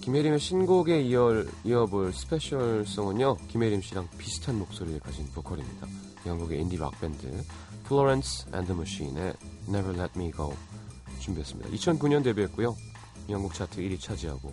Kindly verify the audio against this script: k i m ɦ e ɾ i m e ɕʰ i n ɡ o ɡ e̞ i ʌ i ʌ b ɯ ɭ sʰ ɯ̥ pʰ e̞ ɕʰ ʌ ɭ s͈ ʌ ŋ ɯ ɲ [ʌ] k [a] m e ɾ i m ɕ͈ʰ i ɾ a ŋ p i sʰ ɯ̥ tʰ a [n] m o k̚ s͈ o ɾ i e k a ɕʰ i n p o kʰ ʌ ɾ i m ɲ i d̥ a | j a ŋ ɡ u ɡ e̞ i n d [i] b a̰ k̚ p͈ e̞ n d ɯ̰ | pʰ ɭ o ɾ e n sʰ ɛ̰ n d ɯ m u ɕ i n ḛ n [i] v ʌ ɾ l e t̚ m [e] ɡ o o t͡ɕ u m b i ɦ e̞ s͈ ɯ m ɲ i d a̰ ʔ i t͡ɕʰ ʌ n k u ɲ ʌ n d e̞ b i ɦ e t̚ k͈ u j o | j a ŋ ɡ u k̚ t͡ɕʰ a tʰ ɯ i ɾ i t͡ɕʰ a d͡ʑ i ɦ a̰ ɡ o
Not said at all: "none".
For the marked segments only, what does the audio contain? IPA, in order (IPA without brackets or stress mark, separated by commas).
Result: ʌ, i, n, i, e, i